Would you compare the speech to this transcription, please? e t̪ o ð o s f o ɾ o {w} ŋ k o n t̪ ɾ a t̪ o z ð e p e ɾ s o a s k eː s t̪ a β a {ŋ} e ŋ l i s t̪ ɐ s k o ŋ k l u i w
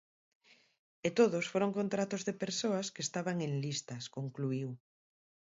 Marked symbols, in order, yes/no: no, yes

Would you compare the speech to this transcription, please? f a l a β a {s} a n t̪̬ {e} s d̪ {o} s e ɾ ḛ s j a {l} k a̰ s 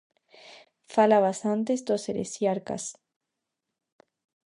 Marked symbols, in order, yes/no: yes, yes, yes, no

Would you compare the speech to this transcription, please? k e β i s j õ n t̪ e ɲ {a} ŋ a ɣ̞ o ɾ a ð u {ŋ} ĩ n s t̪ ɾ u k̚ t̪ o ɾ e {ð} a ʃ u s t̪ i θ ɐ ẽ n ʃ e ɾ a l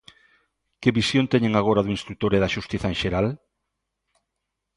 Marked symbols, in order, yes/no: no, no, yes

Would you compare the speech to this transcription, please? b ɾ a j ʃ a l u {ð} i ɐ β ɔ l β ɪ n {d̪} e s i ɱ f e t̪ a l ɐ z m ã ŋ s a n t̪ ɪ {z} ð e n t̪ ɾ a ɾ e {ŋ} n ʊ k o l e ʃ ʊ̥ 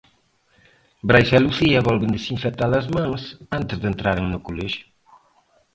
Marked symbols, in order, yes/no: no, yes, yes, yes

